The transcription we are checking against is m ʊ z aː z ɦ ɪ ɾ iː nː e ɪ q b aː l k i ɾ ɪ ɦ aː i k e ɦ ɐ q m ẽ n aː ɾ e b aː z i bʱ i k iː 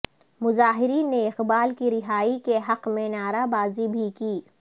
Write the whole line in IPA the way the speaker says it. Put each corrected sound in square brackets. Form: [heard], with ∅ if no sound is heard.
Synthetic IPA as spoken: m ʊ z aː [∅] ɦ ɪ ɾ iː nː e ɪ q b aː l k i ɾ ɪ ɦ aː i k e ɦ ɐ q m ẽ n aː ɾ [a] b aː z i bʱ i k iː

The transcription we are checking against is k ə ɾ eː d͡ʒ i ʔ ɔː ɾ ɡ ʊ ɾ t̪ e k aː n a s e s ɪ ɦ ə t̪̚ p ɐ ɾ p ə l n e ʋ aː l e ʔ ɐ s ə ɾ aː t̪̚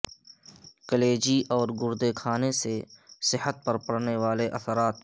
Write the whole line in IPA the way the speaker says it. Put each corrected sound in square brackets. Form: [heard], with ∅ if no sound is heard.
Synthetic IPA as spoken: k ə [l] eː d͡ʒ i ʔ ɔː ɾ ɡ ʊ ɾ [d̪] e [kʰ] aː n [e] s e s ɪ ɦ ə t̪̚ p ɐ ɾ p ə [ɽ] n e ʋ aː l e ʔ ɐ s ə ɾ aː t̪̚

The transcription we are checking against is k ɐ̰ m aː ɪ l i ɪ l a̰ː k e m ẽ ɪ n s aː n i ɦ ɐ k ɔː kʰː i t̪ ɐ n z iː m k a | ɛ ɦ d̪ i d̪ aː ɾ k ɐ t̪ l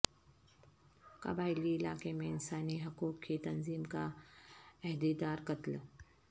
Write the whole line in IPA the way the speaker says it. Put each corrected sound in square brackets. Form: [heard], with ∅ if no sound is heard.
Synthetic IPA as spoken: k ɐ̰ [b] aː ɪ l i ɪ l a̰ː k e m ẽ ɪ n s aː n i ɦ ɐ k [uː] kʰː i t̪ ɐ n z iː m k a | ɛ ɦ d̪ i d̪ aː ɾ k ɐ t̪ l

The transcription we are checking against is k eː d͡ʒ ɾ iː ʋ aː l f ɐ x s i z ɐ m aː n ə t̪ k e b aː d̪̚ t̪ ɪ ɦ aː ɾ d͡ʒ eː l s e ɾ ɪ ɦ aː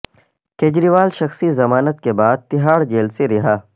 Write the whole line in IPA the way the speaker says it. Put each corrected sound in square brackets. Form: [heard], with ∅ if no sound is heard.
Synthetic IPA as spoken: k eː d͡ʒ ɾ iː ʋ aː l [ʃ] ɐ x s i z ɐ m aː n ə t̪ k e b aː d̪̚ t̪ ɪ ɦ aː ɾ d͡ʒ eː l s e ɾ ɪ ɦ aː

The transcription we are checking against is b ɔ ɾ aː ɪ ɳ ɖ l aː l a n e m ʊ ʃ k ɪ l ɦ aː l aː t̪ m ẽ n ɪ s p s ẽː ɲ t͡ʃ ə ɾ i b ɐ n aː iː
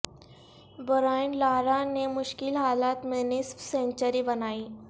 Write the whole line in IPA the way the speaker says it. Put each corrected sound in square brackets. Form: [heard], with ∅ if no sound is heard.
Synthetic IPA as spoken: b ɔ ɾ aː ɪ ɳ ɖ l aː [ɾ] a n e m ʊ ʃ k ɪ l ɦ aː l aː t̪ m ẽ n ɪ s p s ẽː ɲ t͡ʃ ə ɾ i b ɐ n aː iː

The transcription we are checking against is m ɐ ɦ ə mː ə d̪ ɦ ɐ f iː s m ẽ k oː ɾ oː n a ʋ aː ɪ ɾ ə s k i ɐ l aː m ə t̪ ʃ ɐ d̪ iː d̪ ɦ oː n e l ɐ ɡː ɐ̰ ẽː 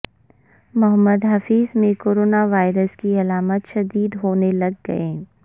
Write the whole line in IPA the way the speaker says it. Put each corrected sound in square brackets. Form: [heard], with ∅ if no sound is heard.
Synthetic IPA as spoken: m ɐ ɦ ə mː ə d̪ ɦ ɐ f iː [z] m ẽ k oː ɾ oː n a ʋ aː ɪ ɾ ə s k i ɐ l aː m ə t̪ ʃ ɐ d̪ iː d̪ ɦ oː n e l ɐ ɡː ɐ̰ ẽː

